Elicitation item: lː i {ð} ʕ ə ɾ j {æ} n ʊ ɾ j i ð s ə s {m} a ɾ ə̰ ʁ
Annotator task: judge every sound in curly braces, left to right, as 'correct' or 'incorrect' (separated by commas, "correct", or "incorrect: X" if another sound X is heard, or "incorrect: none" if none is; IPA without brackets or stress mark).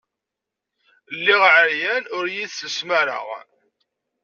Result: incorrect: ʁ, correct, correct